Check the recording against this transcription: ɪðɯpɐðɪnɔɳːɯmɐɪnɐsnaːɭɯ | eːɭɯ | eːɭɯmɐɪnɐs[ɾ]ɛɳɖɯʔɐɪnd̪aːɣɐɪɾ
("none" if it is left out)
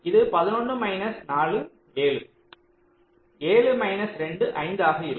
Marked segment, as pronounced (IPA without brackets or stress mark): ɾ